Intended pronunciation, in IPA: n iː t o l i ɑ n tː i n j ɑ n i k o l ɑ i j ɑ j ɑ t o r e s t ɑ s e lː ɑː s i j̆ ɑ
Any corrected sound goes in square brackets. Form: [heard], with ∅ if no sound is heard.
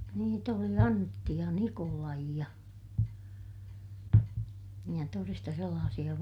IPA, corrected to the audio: n iː t o l i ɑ n tː i [∅] j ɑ n i k o l ɑ i j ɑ j ɑ t o r e s t ɑ s e lː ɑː s i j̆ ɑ